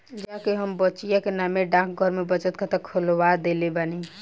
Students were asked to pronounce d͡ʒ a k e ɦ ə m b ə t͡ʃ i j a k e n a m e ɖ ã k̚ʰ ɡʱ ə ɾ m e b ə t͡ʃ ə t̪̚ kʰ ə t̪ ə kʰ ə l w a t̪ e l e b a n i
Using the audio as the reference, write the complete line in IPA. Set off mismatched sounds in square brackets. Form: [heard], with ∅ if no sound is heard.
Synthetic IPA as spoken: d͡ʒ a k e ɦ ə m b ə t͡ʃ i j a k e n a m e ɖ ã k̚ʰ ɡʱ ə ɾ m e b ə t͡ʃ ə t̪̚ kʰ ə t̪ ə kʰ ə l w a [d̪] e l e b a n i